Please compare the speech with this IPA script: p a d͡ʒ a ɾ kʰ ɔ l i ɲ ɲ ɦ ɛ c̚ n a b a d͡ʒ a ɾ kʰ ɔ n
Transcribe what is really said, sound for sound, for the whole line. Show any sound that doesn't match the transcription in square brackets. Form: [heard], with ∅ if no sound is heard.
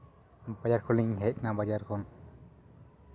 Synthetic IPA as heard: [b] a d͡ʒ a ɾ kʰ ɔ l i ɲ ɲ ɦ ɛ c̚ n a b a d͡ʒ a ɾ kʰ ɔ n